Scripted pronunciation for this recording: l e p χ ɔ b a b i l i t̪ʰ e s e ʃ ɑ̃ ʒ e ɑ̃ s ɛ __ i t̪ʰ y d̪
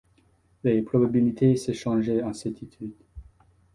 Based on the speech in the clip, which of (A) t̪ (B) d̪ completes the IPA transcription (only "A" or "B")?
A